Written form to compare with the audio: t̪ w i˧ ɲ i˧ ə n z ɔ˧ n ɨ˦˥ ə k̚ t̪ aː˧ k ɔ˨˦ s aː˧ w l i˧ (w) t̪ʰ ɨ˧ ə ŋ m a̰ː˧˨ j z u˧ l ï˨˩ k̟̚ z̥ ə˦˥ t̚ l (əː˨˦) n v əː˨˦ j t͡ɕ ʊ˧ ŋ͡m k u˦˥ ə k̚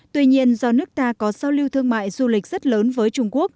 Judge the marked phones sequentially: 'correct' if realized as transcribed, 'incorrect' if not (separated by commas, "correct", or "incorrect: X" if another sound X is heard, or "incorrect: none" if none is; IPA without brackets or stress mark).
correct, correct